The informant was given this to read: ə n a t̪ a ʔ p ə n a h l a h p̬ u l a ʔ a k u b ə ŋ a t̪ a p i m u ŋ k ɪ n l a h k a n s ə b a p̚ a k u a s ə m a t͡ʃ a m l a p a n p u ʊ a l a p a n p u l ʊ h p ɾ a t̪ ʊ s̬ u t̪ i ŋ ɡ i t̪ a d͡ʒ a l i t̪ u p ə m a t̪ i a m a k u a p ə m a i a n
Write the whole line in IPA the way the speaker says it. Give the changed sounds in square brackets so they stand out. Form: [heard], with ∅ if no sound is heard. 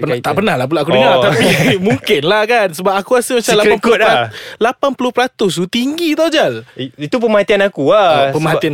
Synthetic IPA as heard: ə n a t̪ a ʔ p ə n a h l a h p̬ u l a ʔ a k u [d] ə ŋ a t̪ a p i m u ŋ k ɪ n l a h k a n s ə b a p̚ a k u a s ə m a t͡ʃ a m l a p a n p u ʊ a l a p a n p u l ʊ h p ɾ a t̪ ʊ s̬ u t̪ i ŋ ɡ i t̪ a d͡ʒ a l i t̪ u p ə m a t̪ i a [n] a k u a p ə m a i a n